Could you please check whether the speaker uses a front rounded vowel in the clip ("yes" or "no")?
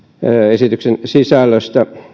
yes